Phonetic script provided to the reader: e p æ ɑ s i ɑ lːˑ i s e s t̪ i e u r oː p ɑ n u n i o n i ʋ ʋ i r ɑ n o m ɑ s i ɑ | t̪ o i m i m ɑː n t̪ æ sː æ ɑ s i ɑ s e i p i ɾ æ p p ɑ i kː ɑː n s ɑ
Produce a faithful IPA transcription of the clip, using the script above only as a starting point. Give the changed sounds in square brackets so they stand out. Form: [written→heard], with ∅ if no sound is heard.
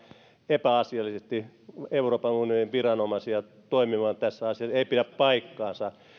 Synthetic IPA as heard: e p æ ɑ s i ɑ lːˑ i s e s t̪ i e u r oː p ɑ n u n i o n i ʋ ʋ i r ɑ n o m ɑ s i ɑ | t̪ o i m i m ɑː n t̪ æ sː æ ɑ s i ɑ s e i p i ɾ æ p p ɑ i kː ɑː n s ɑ